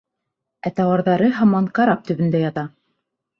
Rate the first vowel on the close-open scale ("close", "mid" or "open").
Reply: open